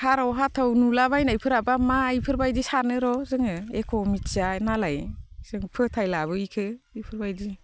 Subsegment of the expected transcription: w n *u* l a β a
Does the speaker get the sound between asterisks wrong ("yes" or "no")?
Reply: no